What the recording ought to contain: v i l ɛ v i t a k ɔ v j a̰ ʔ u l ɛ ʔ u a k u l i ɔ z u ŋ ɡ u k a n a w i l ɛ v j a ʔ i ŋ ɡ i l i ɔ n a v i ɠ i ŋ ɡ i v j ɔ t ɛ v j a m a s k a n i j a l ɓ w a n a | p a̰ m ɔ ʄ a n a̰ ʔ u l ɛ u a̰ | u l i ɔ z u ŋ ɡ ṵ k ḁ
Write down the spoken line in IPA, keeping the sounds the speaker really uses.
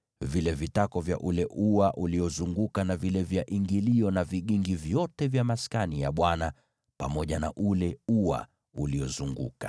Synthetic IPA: v i l ɛ v i t a k ɔ v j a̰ ʔ u l ɛ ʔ u a ʔ u l i ɔ z u ŋ ɡ u k a n a v i l ɛ v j a ʔ i ŋ ɡ i l i ɔ n a v i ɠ i ŋ ɡ i v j ɔ t ɛ v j a m a s k a n i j a ɓ w a n a | p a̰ m ɔ ʄ a n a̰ ʔ u l ɛ u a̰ | u l i ɔ z u ŋ ɡ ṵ k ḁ